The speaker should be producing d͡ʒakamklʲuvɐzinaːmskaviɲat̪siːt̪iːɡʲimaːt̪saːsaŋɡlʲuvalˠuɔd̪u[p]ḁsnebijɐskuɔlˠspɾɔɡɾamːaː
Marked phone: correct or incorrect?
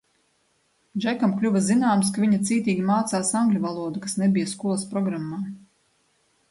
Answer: incorrect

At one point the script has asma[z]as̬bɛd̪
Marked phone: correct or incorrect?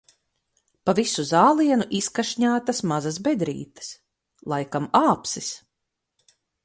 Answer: correct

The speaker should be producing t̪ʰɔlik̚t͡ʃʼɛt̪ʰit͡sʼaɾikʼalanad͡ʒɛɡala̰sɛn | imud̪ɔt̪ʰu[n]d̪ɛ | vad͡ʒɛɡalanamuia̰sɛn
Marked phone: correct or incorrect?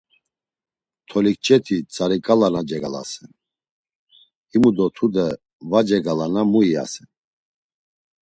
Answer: incorrect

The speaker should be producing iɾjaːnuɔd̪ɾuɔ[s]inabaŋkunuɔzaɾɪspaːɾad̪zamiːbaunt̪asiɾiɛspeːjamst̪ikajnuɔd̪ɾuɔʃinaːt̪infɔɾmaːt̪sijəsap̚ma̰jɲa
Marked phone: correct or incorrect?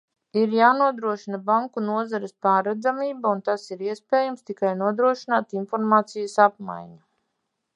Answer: incorrect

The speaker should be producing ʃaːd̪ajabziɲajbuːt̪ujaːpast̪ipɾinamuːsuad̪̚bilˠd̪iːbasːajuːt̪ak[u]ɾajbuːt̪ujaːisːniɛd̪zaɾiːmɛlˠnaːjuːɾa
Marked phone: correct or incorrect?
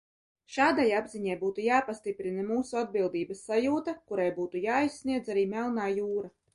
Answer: correct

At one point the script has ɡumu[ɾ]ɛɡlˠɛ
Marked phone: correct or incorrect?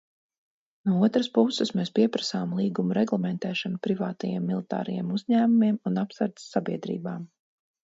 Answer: correct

